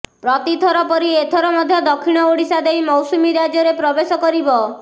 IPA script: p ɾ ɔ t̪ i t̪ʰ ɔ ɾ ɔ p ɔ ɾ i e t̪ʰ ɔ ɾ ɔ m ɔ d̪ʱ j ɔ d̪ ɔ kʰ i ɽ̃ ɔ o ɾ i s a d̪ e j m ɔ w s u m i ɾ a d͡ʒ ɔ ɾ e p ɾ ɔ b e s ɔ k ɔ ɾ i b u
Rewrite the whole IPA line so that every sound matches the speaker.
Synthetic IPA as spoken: p ɾ ɔ t̪ i t̪ʰ ɔ ɾ ɔ p ɔ ɾ i e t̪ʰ ɔ ɾ ɔ m ɔ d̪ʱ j ɔ d̪ ɔ kʰ i ɽ̃ ɔ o ɽ i s a d̪ e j m ɔ w s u m i ɾ a d͡ʒ ɔ ɾ e p ɾ ɔ b e s ɔ k ɔ ɾ i b ɔ